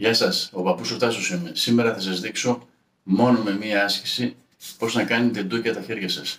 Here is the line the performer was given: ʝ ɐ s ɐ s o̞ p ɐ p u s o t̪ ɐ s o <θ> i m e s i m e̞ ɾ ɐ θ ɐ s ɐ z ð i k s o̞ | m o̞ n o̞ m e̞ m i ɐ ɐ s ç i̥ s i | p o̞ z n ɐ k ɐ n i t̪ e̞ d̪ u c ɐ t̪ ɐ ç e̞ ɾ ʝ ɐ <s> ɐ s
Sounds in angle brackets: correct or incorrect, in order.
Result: incorrect: s, correct

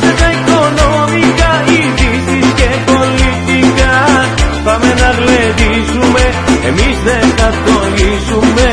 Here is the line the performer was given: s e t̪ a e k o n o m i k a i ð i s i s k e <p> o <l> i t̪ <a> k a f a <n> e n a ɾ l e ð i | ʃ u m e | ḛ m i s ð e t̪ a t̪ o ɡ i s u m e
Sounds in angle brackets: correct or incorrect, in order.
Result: correct, correct, incorrect: i, incorrect: m

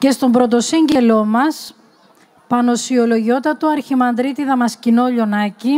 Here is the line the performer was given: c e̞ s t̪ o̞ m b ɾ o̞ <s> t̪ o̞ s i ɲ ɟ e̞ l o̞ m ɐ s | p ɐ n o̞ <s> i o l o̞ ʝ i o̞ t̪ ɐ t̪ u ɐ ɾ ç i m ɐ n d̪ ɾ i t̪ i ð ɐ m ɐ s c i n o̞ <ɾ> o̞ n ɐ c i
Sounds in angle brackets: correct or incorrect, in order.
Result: incorrect: none, correct, incorrect: ʎ

